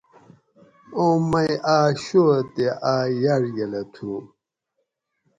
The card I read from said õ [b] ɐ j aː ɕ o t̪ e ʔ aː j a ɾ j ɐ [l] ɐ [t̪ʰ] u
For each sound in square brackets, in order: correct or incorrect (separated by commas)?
incorrect, correct, correct